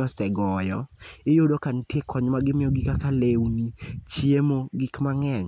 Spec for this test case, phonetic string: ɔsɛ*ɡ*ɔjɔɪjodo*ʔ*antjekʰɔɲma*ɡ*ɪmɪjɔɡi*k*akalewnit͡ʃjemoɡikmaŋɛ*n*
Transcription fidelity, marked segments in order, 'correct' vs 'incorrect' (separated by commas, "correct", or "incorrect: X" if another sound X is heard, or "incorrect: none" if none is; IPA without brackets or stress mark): correct, incorrect: k, correct, correct, incorrect: ɲ